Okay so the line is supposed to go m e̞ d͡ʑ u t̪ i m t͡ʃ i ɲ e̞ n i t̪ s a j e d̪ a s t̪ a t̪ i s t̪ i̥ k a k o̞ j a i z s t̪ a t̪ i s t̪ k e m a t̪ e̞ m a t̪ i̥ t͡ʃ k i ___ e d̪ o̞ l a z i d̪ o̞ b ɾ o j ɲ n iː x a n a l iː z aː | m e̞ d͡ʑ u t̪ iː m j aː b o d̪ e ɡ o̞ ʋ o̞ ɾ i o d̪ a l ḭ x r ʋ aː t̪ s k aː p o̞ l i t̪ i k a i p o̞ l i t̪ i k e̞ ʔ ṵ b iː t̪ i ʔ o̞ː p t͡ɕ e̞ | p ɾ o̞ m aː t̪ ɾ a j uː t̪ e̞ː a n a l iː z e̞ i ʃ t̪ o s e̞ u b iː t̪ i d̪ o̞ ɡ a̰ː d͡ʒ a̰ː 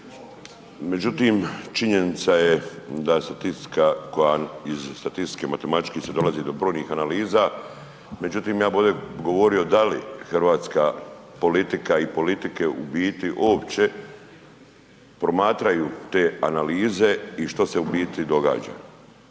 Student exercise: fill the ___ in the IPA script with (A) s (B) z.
A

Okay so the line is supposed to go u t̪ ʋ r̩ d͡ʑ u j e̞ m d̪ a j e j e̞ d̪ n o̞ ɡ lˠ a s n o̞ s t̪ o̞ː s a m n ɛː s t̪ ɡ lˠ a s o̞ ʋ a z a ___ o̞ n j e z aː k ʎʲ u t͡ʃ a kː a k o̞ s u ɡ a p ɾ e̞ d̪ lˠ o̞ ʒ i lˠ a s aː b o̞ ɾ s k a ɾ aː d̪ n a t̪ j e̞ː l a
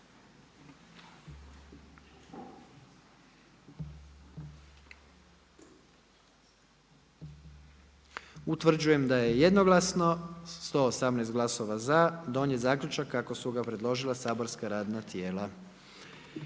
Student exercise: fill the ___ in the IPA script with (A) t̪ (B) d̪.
B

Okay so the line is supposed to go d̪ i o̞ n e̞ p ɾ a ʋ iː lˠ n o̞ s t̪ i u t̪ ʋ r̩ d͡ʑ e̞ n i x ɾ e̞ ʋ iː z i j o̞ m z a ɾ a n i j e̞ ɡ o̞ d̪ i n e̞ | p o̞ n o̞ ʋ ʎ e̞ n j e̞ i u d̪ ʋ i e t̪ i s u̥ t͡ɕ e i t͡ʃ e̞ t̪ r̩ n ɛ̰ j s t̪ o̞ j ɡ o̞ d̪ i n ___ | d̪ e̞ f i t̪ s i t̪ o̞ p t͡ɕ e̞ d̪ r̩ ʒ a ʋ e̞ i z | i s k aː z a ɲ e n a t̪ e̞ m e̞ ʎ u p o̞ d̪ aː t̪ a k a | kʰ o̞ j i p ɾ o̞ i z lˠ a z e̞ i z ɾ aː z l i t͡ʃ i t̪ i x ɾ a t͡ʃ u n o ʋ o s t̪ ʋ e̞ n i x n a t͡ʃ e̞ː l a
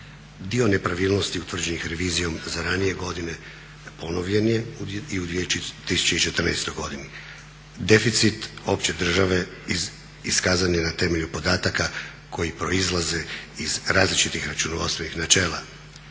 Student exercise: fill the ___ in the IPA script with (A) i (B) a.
A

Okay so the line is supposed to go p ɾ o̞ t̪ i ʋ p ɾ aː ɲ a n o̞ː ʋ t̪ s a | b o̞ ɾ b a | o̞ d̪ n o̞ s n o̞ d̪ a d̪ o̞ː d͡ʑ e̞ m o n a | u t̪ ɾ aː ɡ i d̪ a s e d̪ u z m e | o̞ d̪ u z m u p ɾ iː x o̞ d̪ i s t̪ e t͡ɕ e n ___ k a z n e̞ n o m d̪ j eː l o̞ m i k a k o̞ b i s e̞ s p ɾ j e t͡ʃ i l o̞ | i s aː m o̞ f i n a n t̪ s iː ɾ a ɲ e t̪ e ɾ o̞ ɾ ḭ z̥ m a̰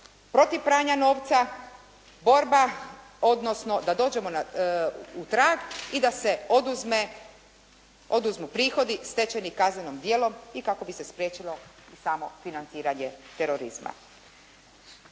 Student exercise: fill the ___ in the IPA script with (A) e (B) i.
B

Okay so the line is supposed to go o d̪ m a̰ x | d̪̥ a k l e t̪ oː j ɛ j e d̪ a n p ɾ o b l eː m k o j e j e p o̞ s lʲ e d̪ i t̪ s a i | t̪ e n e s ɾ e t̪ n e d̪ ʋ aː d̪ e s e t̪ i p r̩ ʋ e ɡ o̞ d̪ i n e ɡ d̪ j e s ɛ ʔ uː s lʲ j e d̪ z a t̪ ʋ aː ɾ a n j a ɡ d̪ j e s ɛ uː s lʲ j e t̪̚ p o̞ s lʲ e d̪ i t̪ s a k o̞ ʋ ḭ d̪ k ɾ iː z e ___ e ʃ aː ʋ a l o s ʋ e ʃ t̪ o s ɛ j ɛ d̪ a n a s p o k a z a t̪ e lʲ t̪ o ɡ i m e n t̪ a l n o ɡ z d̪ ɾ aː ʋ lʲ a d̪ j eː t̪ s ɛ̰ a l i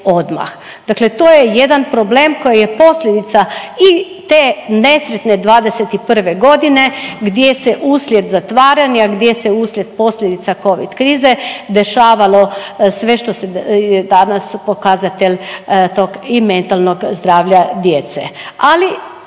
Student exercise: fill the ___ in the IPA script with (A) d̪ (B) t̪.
A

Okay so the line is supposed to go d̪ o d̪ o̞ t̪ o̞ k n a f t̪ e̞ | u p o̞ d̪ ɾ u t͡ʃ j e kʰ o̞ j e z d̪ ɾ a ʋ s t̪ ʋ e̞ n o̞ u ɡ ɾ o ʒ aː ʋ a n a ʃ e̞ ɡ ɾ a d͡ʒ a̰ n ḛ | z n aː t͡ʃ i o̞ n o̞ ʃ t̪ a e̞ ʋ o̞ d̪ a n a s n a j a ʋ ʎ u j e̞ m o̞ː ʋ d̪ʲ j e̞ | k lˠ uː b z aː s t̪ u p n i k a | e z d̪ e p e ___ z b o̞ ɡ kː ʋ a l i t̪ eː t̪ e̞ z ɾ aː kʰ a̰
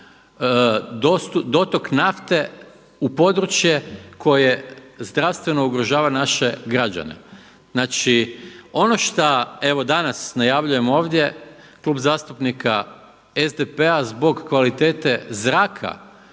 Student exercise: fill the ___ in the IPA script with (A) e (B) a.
B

